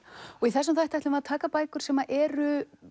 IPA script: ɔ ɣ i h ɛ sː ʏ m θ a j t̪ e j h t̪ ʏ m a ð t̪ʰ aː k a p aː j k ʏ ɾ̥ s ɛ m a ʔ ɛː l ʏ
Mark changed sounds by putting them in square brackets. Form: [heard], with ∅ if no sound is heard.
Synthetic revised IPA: ɔ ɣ i [θ] ɛ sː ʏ m θ a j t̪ [a] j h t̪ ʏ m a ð t̪ʰ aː k a p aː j k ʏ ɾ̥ s ɛ m a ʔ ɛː [ɾ] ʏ